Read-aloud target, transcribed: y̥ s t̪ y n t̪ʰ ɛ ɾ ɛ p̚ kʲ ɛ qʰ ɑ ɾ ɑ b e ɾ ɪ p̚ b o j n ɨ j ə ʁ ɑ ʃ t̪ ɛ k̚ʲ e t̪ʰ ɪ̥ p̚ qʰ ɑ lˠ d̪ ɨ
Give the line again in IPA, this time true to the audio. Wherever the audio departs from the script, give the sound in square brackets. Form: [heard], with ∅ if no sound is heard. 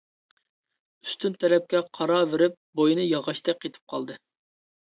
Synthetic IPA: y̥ s t̪ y n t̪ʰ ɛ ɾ ɛ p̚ kʲ ɛ qʰ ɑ ɾ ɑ [v] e ɾ ɪ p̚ b o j n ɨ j [ɑ] ʁ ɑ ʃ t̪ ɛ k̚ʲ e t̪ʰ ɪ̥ p̚ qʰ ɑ lˠ d̪ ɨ